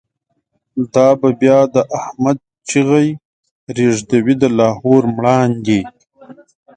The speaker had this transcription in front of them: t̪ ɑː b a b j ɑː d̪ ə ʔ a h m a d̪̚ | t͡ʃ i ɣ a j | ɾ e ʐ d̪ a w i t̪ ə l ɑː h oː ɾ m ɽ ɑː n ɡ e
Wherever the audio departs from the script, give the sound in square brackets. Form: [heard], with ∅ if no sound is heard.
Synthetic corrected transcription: [d̪] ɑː b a b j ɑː d̪ ə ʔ a h m a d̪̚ | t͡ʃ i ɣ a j | ɾ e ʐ d̪ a w i [d̪] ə l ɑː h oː ɾ m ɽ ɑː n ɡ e